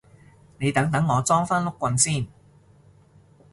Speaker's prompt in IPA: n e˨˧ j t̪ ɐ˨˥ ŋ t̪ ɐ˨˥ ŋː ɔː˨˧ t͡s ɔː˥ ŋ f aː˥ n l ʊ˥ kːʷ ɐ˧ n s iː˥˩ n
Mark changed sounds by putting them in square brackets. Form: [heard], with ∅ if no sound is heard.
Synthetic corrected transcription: n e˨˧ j t̪ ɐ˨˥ ŋ t̪ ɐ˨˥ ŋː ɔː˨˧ t͡s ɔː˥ ŋ f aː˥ n l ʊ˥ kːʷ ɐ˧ n s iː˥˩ n

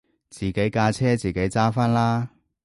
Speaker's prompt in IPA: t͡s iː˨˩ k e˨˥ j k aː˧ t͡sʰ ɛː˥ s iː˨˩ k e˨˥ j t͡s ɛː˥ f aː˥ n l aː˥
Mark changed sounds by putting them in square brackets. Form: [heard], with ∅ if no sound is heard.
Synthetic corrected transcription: t͡s iː˨˩ k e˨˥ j k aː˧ t͡sʰ ɛː˥ [t͡s] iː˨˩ k e˨˥ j t͡s [aː˥] f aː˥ n l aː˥

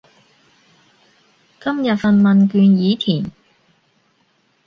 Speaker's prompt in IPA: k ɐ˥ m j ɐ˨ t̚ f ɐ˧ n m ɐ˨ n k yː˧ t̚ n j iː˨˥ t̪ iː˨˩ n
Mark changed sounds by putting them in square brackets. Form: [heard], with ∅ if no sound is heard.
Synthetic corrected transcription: k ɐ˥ m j ɐ˨ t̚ f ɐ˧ n m ɐ˨ n k yː˧ [∅] n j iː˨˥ [t̪ʰ] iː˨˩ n

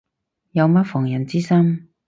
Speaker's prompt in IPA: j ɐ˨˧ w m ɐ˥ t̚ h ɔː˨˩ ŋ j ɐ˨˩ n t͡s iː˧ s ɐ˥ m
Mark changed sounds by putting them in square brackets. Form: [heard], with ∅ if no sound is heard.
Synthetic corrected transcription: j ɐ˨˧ w m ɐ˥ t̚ [f] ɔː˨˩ ŋ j ɐ˨˩ n t͡s [iː˥] s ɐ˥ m

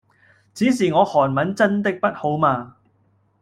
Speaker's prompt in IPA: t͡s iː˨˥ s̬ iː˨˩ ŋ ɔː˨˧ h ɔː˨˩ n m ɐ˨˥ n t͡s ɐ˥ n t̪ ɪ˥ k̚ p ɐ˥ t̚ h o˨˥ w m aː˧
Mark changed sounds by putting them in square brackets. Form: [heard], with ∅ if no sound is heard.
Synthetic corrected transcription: t͡s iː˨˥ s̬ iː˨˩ ŋ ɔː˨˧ h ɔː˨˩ n m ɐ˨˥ n t͡s ɐ˥ n t̪ ɪ˥ k̚ p ɐ˥ t̚ h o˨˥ w m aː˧

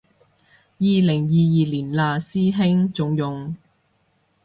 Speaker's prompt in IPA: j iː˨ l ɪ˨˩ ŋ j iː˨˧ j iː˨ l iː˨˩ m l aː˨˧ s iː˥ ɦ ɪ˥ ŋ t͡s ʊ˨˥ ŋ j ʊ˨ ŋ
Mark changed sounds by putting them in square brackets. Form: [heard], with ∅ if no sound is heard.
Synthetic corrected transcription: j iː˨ l ɪ˨˩ ŋ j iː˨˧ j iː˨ l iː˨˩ [n] l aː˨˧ s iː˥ ɦ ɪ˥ ŋ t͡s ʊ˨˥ ŋ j ʊ˨ ŋ

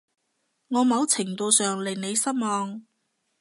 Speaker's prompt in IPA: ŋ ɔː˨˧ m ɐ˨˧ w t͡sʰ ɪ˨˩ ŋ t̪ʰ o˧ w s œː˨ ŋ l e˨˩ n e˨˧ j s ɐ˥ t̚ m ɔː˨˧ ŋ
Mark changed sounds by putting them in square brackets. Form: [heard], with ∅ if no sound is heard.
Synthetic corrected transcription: ŋ ɔː˨˧ m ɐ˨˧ w t͡sʰ ɪ˨˩ ŋ [t̪] o˧ w s œː˨ ŋ l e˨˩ n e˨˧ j s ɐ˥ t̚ m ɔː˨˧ ŋ

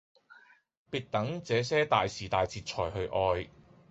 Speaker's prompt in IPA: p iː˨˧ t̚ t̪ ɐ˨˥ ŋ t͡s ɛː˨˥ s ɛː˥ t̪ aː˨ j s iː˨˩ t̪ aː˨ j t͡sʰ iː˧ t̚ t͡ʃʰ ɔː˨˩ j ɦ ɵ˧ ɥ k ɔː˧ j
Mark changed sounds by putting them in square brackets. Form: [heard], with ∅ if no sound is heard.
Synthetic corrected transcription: p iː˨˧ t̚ t̪ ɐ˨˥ ŋ t͡s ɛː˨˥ s ɛː˥ t̪ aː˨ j s iː˨˩ t̪ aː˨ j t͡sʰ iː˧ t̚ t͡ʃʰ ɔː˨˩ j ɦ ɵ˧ ɥ [ʔ] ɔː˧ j

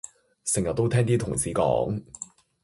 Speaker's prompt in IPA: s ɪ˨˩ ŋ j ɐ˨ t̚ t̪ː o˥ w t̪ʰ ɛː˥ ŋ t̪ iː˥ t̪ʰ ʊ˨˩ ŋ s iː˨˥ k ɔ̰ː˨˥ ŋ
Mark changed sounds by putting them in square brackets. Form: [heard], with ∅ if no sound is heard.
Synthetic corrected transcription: s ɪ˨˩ ŋ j ɐ˨ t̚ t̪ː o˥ w t̪ʰ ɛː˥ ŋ t̪ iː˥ t̪ʰ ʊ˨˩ ŋ s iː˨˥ k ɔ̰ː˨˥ ŋ

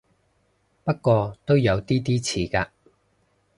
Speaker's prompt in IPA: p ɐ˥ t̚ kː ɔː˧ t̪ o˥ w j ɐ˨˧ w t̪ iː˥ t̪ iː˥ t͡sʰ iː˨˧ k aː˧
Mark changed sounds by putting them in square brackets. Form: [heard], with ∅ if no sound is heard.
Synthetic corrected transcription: p ɐ˥ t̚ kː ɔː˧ t̪ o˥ w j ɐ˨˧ w t̪ iː˥ t̪ iː˥ t͡sʰ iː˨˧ k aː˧

